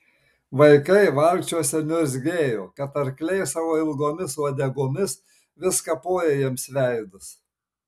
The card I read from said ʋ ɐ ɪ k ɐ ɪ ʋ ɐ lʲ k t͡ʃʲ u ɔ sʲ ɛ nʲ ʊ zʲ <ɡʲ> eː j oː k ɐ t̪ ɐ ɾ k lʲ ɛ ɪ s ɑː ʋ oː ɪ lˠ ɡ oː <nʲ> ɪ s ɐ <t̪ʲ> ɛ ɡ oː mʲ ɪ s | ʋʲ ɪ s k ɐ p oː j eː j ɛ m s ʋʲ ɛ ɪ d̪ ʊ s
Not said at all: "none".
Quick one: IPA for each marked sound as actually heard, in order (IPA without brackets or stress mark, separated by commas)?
ɡʲ, mʲ, d̪ʲ